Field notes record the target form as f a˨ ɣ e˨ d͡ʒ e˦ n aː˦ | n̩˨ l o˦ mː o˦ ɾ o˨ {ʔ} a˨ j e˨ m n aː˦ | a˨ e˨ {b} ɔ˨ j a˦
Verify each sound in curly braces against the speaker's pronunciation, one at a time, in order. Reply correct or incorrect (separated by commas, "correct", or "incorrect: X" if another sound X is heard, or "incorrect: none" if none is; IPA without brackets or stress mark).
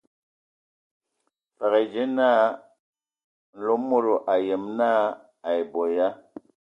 correct, correct